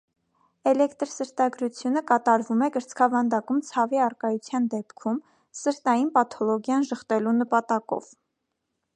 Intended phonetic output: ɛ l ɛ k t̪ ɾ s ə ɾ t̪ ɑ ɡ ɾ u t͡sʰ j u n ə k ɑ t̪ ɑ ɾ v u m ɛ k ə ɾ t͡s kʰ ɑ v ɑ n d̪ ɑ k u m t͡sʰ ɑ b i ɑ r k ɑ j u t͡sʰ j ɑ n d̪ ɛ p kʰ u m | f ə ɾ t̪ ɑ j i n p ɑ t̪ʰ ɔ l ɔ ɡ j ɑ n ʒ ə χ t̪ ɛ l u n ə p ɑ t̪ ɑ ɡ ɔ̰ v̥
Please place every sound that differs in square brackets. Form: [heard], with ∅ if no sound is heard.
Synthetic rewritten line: ɛ l ɛ k t̪ ɾ s ə ɾ t̪ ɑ ɡ ɾ u t͡sʰ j u n ə k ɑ t̪ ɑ ɾ v u m ɛ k ə ɾ t͡s kʰ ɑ v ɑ n d̪ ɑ k u m t͡sʰ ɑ [v] i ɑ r k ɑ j u t͡sʰ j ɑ n d̪ ɛ p kʰ u m | [s] ə ɾ t̪ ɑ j i n p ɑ t̪ʰ ɔ l ɔ ɡ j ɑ n ʒ ə χ t̪ ɛ l u n ə p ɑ t̪ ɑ [k] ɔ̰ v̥